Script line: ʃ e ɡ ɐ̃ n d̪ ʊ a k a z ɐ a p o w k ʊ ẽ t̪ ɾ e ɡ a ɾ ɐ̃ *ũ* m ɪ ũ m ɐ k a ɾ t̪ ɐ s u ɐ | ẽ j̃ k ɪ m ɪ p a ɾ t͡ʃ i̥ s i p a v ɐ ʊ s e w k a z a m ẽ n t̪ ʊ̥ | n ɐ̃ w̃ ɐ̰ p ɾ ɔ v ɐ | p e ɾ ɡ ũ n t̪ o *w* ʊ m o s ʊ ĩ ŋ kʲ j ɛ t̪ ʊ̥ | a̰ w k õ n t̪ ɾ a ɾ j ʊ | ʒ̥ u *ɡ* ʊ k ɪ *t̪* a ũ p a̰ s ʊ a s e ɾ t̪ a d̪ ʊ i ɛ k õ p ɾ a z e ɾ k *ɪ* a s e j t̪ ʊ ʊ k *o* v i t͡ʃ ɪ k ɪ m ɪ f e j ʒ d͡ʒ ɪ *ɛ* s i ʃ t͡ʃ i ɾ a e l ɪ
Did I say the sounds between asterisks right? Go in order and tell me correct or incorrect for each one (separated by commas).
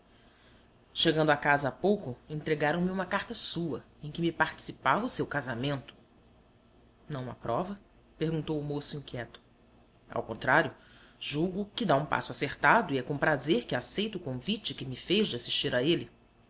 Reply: incorrect, correct, correct, incorrect, correct, incorrect, incorrect